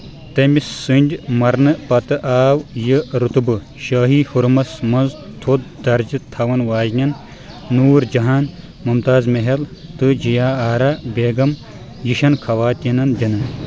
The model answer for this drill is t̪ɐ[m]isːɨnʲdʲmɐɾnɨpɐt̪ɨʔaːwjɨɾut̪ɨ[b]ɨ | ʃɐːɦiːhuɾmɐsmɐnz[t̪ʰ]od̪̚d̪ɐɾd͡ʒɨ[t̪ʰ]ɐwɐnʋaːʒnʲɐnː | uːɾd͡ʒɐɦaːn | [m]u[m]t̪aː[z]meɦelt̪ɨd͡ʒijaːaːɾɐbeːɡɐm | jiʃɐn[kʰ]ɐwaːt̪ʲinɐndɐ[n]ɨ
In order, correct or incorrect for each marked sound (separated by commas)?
correct, correct, correct, correct, correct, correct, correct, correct, correct